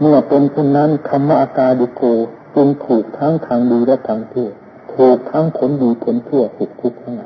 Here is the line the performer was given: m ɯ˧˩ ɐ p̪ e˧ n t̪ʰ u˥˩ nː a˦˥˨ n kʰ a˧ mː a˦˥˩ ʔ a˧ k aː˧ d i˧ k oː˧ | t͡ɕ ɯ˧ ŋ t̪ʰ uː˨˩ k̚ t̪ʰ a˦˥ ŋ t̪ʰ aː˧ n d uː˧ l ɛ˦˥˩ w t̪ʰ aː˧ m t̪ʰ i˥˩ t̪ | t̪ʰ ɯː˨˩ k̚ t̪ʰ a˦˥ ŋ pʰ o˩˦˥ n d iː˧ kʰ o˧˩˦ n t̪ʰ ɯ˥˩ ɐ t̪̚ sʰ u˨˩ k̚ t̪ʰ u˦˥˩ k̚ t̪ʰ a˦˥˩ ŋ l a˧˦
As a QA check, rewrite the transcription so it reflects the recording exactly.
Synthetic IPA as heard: m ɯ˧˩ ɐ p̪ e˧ n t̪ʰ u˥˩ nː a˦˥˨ n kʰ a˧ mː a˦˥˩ ʔ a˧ k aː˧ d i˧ k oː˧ | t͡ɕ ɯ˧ ŋ t̪ʰ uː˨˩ k̚ t̪ʰ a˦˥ ŋ t̪ʰ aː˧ ŋ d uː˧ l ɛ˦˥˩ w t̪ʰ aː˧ ŋ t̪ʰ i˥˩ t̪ | t̪ʰ uː˨˩ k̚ t̪ʰ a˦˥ ŋ kʰ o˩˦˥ n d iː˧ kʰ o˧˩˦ n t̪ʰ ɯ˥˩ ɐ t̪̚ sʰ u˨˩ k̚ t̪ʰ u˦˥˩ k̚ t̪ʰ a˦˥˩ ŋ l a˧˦